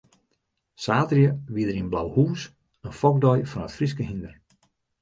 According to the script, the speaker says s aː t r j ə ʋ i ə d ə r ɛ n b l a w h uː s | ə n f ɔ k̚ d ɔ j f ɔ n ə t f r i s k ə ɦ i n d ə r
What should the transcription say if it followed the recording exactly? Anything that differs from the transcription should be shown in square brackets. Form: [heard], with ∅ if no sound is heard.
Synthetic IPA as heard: s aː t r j ə ʋ i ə d ə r [i] n b l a w h uː s | ə n f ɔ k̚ d ɔ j f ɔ n ə t f r i s k ə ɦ i n d ə r